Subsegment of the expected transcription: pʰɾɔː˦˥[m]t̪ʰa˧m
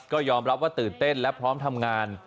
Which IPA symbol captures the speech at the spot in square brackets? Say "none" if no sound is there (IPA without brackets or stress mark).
m